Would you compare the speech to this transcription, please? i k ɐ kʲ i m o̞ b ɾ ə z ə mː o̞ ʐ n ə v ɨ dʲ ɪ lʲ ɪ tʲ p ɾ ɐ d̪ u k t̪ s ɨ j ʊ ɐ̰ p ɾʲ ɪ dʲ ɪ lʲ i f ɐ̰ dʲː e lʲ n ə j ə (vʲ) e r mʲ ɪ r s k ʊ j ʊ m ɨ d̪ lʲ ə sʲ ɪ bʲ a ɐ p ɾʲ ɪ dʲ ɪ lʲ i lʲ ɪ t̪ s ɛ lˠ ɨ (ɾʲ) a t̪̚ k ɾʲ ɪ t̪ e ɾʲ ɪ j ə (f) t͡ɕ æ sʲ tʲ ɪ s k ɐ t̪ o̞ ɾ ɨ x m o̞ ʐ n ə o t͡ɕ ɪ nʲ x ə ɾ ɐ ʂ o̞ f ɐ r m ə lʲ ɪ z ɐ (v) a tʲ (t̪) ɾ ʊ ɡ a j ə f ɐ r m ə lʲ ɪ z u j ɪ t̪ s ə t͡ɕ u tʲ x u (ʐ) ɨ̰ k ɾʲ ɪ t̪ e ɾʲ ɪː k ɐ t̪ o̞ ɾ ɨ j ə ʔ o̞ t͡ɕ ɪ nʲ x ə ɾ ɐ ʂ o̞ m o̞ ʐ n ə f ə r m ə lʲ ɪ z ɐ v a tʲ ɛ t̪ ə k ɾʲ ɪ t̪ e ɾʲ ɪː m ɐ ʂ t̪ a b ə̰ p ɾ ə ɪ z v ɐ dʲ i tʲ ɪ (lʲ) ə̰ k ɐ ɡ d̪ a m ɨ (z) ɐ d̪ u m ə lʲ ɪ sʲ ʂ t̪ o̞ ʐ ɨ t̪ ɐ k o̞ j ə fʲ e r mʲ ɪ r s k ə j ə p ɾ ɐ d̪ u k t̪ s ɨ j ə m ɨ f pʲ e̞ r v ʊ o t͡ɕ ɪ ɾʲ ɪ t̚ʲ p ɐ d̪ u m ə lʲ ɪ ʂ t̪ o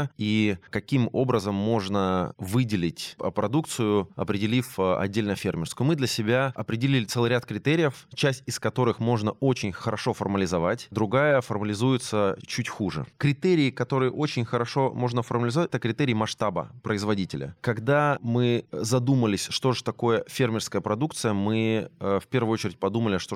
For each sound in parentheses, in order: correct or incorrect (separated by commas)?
incorrect, correct, correct, correct, incorrect, correct, correct, correct